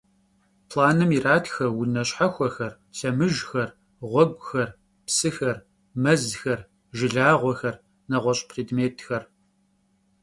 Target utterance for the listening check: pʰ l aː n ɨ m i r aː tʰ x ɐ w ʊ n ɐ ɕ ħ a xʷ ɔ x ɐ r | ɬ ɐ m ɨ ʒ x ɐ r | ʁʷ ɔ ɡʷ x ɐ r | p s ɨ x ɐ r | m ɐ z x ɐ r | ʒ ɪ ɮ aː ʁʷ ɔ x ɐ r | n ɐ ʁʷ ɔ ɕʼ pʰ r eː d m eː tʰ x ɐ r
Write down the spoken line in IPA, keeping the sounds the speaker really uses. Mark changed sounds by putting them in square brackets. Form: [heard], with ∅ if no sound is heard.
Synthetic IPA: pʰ l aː n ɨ m i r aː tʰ x ɐ w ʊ n ɐ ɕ ħ a xʷ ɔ x ɐ r | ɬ ɐ m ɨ ʒ x ɐ r | ʁʷ ɔ ɡʷ x ɐ r | p s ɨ x ɐ r | m ɐ z x ɐ r | ʒ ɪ ɮ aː ʁʷ ɔ x ɐ r | n ɐ ʁʷ ɔ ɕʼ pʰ r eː d m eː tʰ x ɐ r